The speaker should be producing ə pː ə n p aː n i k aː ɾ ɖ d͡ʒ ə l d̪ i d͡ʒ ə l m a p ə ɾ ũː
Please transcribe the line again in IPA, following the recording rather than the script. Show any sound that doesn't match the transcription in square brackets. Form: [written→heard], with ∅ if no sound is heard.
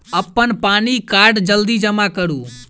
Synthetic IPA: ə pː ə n p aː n i k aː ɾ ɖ d͡ʒ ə l d̪ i d͡ʒ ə [l→∅] m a [p→k] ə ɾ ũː